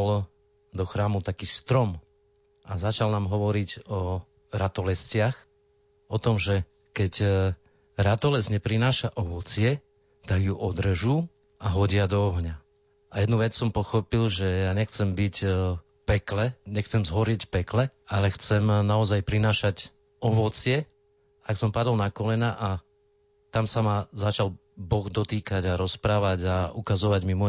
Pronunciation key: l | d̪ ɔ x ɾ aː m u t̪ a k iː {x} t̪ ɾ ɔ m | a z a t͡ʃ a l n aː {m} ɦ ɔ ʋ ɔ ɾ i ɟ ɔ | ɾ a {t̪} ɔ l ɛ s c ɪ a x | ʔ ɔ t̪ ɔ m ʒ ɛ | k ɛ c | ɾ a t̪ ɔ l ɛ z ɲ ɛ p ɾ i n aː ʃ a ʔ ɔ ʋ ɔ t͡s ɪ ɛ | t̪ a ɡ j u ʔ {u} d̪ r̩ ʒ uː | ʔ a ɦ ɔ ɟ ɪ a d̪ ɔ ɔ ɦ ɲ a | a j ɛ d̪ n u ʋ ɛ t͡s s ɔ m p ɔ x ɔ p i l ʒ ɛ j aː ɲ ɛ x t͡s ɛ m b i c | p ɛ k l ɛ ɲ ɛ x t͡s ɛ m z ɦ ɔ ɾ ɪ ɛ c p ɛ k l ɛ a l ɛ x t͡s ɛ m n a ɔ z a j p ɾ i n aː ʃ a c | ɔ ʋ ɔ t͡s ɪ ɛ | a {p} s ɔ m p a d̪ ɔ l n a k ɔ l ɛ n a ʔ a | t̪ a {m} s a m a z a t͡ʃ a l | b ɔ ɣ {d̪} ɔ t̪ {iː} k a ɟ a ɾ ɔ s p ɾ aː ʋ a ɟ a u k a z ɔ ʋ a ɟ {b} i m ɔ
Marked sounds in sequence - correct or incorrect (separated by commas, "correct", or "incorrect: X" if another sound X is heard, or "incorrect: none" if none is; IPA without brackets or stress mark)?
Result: incorrect: s, correct, correct, incorrect: ɔ, incorrect: k, correct, correct, correct, incorrect: m